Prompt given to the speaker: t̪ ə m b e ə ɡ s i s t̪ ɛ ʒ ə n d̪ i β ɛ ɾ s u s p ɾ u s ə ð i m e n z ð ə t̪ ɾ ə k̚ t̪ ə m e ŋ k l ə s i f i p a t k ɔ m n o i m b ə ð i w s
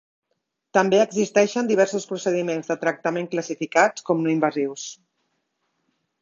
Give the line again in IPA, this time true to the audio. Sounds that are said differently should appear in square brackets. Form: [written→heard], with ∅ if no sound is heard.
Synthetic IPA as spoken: t̪ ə m b e ə ɡ [s→z] i s t̪ ɛ [ʒ→ʃ] ə n d̪ i β ɛ ɾ s u s p ɾ u s ə ð i m e n z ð ə t̪ ɾ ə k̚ t̪ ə m e ŋ k l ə s i f i [p→k] a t k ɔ m n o i m b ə [ð→z] i w s